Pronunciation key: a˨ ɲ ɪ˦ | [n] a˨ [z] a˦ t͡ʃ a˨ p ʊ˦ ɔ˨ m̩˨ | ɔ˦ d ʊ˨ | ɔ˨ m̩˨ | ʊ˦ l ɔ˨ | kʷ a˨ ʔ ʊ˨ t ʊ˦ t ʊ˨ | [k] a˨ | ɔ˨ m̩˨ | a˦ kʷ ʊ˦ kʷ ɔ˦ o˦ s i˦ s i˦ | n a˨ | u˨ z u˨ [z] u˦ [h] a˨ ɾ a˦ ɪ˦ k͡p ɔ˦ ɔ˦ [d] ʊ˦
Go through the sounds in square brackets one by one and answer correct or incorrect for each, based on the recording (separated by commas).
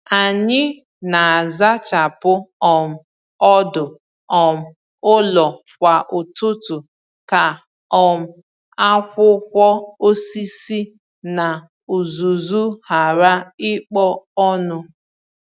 correct, correct, correct, correct, correct, incorrect